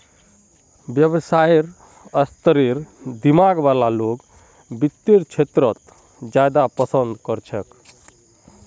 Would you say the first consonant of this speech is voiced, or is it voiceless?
voiced